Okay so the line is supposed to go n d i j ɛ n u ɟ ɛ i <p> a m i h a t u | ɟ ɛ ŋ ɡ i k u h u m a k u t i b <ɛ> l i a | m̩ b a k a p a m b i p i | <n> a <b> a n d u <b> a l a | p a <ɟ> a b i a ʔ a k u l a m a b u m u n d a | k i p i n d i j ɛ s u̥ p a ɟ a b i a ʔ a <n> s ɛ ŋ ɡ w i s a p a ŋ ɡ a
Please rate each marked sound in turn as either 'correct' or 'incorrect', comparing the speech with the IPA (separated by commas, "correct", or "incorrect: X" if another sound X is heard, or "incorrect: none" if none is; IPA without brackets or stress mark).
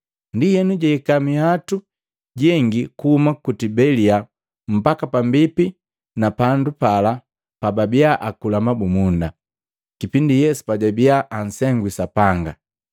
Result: incorrect: k, correct, correct, incorrect: p, incorrect: p, incorrect: b, correct